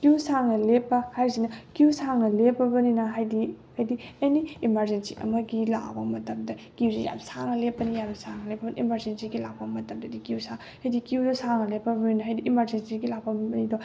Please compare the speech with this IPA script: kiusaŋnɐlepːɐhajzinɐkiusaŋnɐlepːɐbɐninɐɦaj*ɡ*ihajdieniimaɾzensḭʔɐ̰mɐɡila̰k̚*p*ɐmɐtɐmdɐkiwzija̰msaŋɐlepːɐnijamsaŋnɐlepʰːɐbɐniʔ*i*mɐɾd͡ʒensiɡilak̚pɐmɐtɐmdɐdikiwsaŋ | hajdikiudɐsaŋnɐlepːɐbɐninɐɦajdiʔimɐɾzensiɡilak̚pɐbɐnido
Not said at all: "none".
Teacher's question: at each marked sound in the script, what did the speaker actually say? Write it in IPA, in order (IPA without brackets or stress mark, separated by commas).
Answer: d, b, i